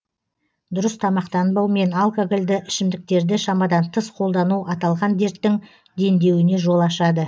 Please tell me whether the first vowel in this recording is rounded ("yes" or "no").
yes